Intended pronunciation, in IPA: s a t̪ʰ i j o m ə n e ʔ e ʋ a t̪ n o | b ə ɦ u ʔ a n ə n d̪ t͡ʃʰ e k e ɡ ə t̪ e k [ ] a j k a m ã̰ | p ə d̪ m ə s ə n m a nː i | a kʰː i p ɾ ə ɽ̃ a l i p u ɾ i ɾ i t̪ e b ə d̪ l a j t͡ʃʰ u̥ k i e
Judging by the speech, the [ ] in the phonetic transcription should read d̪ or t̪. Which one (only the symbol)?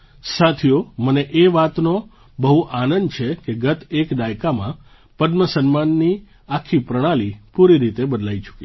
d̪